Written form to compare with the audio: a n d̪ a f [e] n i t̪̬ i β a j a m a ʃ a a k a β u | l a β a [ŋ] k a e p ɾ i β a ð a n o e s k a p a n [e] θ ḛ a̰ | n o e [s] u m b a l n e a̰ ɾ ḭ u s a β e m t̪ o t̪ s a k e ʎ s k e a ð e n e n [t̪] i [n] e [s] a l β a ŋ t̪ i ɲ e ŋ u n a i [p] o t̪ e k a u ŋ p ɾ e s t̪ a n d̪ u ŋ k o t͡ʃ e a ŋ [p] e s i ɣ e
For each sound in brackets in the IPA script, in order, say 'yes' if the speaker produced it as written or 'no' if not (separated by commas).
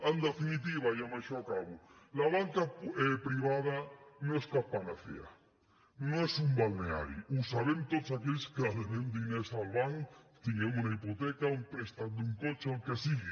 no, yes, no, yes, no, yes, yes, yes, no